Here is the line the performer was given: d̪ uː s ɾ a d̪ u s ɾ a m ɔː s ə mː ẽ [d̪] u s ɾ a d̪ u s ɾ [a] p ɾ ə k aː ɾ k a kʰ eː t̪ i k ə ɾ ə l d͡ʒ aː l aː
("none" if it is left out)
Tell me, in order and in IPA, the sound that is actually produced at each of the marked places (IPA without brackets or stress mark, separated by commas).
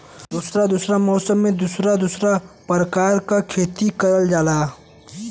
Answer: d̪, a